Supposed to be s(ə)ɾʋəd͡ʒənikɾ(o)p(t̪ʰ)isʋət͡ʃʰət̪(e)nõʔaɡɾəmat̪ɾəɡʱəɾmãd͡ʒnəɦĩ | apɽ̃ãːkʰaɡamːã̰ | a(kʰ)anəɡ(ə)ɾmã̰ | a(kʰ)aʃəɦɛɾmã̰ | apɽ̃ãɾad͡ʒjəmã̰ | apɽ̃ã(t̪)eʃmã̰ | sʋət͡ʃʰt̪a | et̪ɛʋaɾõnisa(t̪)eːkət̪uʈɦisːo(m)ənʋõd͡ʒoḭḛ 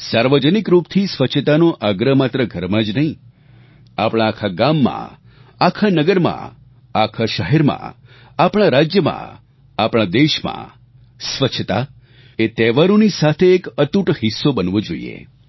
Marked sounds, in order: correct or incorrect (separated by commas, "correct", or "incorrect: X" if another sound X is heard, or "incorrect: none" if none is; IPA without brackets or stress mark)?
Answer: incorrect: a, incorrect: u, correct, incorrect: a, correct, correct, correct, incorrect: d̪, incorrect: t̪ʰ, incorrect: b